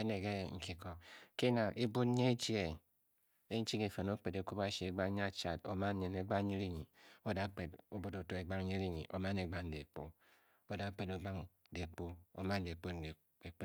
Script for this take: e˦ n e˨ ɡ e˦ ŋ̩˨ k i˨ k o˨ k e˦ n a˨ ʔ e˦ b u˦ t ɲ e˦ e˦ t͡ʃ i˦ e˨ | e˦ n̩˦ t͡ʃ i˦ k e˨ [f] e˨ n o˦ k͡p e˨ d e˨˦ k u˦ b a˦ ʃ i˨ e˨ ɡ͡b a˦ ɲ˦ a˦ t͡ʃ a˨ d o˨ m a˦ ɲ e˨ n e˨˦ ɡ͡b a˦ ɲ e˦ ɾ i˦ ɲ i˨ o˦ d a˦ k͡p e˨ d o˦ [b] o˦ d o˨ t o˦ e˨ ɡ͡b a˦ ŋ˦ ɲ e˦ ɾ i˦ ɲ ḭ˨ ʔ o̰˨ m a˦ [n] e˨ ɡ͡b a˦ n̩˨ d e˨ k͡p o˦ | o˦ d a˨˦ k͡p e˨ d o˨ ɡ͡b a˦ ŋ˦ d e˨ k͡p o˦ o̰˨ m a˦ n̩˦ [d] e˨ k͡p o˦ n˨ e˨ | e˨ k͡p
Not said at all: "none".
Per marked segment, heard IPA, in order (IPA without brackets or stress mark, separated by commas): f, b, n, d